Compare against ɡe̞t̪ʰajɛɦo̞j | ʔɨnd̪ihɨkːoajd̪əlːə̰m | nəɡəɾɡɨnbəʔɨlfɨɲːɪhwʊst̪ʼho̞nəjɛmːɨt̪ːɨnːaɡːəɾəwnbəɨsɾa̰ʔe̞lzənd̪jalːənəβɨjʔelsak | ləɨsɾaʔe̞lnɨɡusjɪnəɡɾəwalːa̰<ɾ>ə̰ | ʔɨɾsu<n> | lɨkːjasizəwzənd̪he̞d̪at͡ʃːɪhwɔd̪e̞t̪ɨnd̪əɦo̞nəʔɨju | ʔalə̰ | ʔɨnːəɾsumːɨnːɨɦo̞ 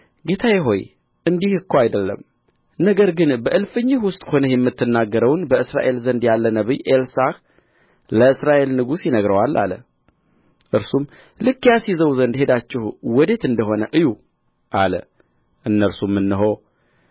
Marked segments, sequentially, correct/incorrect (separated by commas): incorrect, incorrect